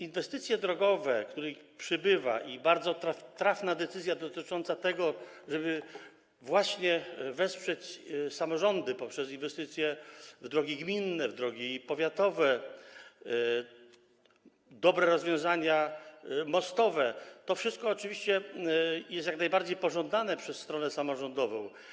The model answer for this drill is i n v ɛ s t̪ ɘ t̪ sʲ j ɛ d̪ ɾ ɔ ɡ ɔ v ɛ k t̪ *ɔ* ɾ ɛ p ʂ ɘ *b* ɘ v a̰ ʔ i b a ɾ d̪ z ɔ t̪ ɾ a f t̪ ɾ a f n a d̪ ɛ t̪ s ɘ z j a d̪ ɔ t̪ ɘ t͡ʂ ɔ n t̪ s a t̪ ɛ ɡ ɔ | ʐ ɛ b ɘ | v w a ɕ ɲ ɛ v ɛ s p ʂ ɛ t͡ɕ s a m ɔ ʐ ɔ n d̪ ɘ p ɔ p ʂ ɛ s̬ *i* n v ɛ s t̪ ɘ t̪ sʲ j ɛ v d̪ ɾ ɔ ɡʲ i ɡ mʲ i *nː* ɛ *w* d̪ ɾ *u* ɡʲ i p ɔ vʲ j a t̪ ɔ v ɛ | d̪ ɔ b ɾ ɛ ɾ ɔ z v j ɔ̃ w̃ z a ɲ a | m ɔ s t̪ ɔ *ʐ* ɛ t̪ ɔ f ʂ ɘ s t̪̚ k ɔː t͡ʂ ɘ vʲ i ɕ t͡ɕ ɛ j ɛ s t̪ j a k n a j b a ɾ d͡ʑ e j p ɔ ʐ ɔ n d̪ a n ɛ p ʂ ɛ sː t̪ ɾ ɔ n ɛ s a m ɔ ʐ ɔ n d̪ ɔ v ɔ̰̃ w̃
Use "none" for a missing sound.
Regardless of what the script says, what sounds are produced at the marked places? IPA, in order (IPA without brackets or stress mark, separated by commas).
u, b, i, nː, v, ɔ, v